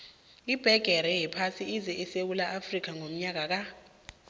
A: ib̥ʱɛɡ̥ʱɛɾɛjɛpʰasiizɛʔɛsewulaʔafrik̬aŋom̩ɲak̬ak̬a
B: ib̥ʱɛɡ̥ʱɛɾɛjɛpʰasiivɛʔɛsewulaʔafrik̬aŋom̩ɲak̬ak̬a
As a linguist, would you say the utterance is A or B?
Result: A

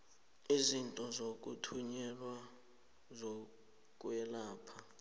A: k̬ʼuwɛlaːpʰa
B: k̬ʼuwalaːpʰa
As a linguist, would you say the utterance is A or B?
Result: A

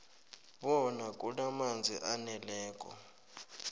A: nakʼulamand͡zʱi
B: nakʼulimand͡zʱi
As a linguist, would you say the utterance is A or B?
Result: A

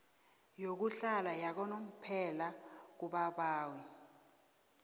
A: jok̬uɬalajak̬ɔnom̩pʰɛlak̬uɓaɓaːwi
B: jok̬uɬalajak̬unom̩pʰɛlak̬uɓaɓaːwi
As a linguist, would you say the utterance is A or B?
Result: A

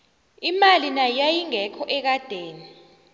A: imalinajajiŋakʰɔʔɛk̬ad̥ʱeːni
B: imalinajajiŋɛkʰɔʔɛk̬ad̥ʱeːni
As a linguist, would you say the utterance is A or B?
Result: B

